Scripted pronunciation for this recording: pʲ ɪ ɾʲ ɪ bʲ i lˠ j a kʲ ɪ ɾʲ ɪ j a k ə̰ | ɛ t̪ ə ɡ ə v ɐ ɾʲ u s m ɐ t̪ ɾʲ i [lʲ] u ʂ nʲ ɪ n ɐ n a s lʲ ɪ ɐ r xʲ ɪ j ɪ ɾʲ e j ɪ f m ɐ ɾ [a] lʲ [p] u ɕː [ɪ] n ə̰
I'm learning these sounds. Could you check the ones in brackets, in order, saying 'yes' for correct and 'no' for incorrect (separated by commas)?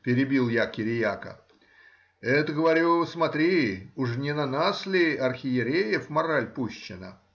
no, yes, yes, yes